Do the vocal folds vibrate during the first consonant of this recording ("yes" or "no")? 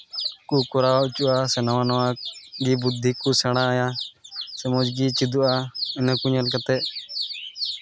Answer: no